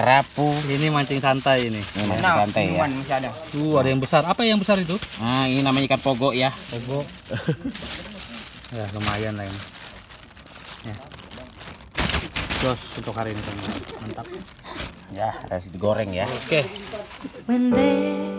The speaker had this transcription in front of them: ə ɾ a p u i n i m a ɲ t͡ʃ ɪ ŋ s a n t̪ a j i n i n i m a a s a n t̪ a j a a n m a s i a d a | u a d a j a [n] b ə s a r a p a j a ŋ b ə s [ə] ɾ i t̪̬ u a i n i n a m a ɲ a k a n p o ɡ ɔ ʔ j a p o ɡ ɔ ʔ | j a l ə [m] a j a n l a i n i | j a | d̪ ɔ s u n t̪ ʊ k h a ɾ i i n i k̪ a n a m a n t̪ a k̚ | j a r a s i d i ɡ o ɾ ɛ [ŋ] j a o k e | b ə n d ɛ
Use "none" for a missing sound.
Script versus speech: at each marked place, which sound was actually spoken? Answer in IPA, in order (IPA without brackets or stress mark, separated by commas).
ŋ, a, m, ŋ